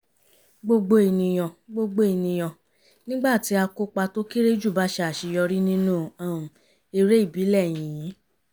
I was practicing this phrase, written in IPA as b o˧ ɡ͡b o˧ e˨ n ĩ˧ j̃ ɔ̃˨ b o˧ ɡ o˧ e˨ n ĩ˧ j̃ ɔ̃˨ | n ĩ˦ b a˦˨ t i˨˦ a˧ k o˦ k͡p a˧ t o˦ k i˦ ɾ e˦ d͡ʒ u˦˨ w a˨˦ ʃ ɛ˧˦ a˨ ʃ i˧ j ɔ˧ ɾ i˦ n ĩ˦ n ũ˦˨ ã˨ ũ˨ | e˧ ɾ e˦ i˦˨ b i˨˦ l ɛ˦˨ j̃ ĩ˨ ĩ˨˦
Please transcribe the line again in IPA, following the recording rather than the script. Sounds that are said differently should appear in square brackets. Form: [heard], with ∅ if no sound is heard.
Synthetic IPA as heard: [ɡ͡b] o˧ ɡ͡b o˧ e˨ n ĩ˧ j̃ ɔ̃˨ [ɡ͡b] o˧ [ɡ͡b] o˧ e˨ n ĩ˧ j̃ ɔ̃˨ | n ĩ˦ [ɡ͡b] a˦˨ t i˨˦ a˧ k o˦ k͡p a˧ t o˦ k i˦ ɾ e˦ d͡ʒ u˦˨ [b] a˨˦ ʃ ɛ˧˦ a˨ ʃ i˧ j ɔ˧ ɾ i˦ n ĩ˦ n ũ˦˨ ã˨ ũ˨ | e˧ ɾ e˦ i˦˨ b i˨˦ l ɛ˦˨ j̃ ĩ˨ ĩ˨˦